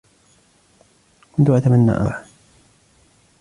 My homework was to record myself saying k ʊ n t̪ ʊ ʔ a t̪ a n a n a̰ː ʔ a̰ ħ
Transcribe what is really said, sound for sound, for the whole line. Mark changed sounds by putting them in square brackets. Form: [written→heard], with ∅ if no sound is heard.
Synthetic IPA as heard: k ʊ n t̪ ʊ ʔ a t̪ a [n→m] a [n→nː] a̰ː ʔ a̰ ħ